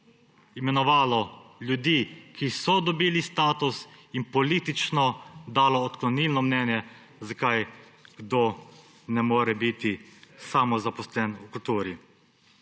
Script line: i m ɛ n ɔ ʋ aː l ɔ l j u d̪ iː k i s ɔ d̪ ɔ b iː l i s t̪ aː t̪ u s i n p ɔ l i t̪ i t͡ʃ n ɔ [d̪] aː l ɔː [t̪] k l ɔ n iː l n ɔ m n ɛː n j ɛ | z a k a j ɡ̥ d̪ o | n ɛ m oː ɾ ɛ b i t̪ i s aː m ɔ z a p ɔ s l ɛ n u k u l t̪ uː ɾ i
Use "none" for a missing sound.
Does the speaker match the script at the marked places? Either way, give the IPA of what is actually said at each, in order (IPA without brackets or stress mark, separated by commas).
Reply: d̪, t̪